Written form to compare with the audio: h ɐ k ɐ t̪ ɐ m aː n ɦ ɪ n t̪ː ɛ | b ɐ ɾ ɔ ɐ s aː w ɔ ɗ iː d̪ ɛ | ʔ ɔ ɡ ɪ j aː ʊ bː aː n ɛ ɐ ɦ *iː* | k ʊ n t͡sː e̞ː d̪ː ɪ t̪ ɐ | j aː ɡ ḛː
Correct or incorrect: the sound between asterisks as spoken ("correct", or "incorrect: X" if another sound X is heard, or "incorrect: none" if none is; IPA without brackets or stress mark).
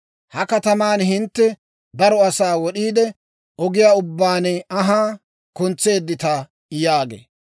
incorrect: aː